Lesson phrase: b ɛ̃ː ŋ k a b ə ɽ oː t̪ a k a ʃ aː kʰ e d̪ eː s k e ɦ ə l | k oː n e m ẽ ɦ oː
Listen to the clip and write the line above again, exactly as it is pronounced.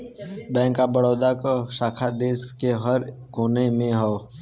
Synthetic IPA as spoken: b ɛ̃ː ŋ k a b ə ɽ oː d̪ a k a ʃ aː kʰ a d̪ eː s k e ɦ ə ɾ | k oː n e m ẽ ɦ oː